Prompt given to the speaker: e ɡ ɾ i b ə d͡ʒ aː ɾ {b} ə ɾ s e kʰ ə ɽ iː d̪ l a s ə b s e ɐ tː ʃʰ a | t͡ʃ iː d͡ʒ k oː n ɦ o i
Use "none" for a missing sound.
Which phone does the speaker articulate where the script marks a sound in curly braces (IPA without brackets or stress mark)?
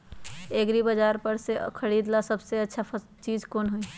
p